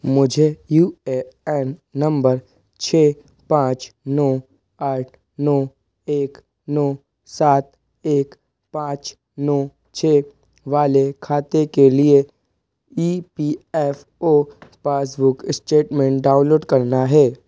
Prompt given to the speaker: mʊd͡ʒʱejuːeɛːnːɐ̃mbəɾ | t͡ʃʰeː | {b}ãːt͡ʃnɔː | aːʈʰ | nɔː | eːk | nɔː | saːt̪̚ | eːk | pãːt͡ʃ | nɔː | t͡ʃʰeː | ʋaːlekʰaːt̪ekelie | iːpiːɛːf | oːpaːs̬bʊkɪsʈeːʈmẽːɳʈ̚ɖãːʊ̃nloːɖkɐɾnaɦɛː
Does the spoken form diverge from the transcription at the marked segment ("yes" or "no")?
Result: yes